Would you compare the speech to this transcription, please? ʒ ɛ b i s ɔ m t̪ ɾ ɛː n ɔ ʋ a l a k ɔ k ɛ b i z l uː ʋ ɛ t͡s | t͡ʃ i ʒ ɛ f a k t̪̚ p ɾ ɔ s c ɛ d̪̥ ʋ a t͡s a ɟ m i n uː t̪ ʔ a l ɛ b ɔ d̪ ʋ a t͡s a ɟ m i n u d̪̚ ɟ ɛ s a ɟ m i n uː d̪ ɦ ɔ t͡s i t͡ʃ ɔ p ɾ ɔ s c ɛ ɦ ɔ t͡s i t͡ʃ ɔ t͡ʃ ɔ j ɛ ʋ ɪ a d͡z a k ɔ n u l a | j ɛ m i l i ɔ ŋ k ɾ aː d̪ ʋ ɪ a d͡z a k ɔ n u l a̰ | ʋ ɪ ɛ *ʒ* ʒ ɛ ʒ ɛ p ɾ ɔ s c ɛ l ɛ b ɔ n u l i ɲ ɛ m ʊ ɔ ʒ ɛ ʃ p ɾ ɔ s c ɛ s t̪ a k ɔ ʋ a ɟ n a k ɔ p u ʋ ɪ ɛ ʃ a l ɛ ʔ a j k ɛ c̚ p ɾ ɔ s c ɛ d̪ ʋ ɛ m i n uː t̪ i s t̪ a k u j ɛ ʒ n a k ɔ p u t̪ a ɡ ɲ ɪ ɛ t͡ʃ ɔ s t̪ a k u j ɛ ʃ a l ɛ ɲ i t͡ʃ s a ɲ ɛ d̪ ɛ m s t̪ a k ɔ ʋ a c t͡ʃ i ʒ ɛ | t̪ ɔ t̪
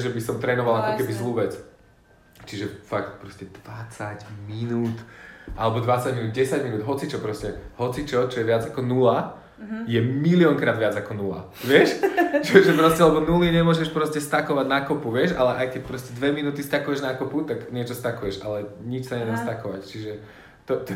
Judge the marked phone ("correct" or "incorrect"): incorrect